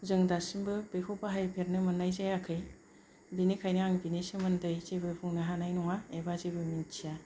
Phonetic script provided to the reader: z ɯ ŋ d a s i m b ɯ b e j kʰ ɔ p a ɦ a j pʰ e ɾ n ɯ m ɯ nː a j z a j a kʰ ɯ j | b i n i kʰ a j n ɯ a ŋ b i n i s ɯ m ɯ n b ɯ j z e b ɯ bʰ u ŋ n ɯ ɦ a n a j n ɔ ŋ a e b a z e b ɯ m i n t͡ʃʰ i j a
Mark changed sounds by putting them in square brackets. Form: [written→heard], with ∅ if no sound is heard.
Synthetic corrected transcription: z ɯ ŋ d a s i m b ɯ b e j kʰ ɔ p a ɦ a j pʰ e ɾ n ɯ m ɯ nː a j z a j a kʰ ɯ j | b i n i kʰ a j n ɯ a ŋ b i n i s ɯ m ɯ n [b→d] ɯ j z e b ɯ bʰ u ŋ n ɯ ɦ a n a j n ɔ ŋ a e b a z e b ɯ m i n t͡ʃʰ i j a